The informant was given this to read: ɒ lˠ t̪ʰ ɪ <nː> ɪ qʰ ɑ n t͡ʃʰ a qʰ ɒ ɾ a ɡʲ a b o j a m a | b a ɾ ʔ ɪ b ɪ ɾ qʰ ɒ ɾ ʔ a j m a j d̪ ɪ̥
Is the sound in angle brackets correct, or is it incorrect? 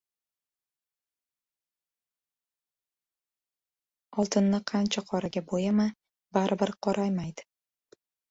correct